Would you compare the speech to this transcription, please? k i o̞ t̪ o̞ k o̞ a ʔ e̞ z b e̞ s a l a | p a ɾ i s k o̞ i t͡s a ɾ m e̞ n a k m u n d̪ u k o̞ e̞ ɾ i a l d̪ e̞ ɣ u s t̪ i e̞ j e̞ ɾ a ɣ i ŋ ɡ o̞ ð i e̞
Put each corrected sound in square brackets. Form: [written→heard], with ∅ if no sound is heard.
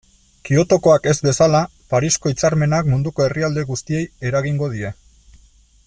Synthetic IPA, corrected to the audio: k i o̞ t̪ o̞ k o̞ a [ʔ→k] e̞ z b e̞ s a l a | p a ɾ i s k o̞ i t͡s a ɾ m e̞ n a k m u n d̪ u k o̞ e̞ [ɾ→r] i a l d̪ e̞ ɣ u s t̪ i e̞ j e̞ ɾ a ɣ i ŋ ɡ o̞ ð i e̞